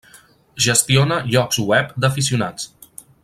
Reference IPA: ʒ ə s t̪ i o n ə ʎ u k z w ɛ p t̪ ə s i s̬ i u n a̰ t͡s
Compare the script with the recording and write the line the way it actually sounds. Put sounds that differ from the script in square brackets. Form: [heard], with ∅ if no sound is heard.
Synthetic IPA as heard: ʒ ə s t̪ i o n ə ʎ [ɔ] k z w ɛ p [d̪] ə [f] i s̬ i u n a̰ t͡s